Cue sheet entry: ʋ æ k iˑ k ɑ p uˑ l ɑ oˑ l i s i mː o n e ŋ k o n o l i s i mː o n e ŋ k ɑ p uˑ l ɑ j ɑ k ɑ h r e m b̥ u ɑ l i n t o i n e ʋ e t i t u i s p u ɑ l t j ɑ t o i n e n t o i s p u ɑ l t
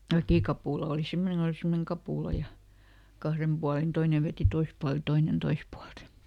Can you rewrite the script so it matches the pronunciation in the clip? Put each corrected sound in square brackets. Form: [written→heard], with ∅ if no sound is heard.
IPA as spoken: ʋ æ k iˑ k ɑ p uˑ l ɑ oˑ l i s i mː o n e ŋ k o n o l i s i mː o n e ŋ k ɑ p uˑ l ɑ j ɑ k ɑ h r e m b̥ u ɑ l i n t o i n e ʋ e t i t [u→o] i s p u ɑ l t j ɑ t o i n e n t o i s p u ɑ l t